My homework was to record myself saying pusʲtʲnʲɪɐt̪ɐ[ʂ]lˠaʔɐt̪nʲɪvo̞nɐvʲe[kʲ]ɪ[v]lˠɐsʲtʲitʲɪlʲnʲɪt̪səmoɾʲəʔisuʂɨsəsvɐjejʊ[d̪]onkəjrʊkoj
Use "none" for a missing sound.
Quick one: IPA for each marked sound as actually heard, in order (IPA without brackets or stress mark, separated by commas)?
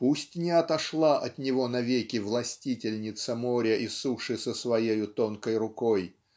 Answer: ʂ, kʲ, v, t̪